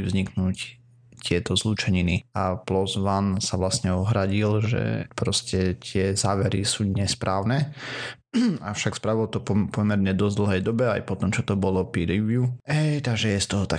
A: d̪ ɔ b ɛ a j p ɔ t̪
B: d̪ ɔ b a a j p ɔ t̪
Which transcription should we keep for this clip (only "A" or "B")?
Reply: A